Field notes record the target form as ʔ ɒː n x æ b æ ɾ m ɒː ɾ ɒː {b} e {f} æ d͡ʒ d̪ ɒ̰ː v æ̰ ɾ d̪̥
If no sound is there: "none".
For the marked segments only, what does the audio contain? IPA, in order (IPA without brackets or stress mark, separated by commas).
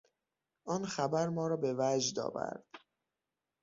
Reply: b, v